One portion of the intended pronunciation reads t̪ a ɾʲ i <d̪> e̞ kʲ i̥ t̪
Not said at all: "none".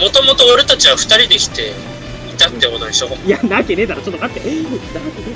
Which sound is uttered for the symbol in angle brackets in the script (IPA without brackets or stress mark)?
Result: d̪